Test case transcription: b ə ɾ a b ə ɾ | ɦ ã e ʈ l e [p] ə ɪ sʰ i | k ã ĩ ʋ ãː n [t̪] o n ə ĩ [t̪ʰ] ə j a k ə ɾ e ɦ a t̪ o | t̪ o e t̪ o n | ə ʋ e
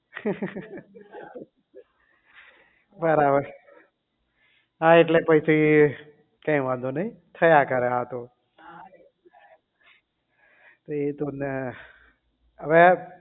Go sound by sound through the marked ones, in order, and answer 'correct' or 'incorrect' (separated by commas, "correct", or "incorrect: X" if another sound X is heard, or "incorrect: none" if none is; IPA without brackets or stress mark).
correct, incorrect: d̪, correct